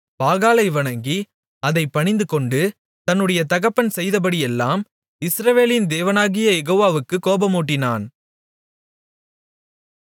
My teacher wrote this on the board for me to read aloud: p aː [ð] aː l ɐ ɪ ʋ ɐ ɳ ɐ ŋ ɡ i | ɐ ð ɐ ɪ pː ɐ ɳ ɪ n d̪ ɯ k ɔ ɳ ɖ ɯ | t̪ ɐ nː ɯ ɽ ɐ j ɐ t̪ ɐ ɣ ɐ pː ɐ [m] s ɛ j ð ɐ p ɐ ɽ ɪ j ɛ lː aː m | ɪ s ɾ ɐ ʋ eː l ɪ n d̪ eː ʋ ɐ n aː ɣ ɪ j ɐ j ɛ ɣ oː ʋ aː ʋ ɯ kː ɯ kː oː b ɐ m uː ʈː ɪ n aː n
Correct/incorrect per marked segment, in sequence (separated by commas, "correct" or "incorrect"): incorrect, incorrect